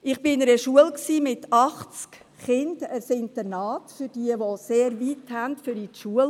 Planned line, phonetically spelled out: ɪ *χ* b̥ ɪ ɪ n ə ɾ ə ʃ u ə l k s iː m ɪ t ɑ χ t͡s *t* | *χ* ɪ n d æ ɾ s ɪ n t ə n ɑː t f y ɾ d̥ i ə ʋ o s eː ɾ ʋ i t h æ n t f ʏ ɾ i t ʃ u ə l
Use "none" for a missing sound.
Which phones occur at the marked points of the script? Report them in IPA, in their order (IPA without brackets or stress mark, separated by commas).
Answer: χ, k, χ